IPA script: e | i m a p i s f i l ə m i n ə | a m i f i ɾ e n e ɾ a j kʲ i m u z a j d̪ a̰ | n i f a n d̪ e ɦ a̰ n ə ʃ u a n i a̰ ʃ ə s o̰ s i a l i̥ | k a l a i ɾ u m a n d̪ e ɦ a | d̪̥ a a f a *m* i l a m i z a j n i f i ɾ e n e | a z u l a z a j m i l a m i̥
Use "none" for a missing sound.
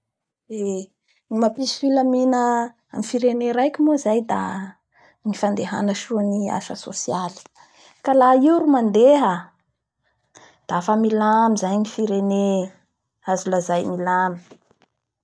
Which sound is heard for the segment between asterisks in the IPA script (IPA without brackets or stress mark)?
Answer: m